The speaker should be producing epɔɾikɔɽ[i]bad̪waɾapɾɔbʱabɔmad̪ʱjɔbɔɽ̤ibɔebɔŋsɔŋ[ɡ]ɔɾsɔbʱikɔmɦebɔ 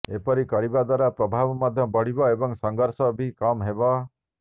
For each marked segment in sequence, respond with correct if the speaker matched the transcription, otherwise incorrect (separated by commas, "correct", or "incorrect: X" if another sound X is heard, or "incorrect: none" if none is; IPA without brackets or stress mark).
correct, correct